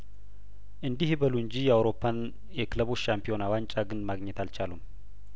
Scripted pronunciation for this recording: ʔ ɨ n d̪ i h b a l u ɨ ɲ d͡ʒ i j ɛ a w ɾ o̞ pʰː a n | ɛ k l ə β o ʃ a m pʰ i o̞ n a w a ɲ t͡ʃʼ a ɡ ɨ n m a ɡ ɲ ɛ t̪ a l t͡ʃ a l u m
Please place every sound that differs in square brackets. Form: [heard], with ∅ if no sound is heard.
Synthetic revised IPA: ʔ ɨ n d̪ i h b [ə] l u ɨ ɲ d͡ʒ i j ɛ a w ɾ o̞ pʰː a n | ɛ k l ə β o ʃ a m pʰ i o̞ n a w a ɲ t͡ʃʼ a ɡ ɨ n m a ɡ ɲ ɛ t̪ a l t͡ʃ a l u m